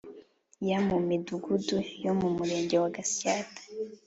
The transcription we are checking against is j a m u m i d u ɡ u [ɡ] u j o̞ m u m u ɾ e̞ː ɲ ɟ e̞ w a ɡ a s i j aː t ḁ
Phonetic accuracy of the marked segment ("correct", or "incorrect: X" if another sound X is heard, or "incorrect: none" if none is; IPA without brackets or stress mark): incorrect: d